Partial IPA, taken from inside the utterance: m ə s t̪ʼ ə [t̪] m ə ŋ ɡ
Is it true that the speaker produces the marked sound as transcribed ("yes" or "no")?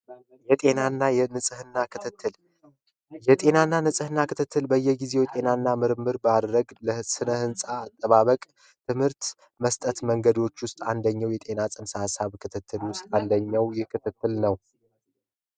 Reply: yes